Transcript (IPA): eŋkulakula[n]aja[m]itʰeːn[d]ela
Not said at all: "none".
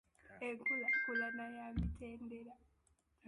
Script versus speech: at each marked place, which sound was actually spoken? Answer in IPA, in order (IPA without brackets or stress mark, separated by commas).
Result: n, m, d